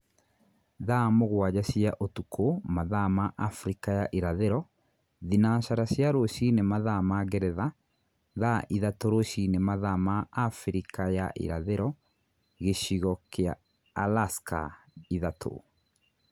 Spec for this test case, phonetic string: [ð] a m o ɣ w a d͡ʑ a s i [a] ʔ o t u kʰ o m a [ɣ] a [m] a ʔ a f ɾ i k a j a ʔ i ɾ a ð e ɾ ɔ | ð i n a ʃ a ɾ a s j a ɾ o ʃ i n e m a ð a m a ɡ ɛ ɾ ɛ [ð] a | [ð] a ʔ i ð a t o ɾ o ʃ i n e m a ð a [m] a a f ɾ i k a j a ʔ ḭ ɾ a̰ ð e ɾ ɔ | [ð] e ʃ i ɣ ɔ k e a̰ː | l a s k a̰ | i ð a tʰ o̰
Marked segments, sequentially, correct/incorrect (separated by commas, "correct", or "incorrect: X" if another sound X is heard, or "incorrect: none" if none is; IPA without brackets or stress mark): correct, correct, incorrect: ð, correct, correct, correct, correct, incorrect: ɣ